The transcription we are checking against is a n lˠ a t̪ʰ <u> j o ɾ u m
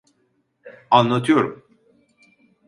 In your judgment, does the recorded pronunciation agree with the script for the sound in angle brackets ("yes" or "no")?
no